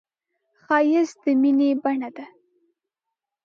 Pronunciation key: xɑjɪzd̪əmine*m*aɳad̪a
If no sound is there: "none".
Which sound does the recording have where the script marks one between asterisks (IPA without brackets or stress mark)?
b